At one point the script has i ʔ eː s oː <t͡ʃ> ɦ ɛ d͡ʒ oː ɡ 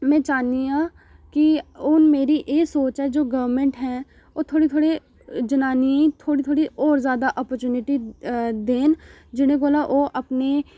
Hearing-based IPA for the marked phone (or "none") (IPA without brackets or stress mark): t͡ʃ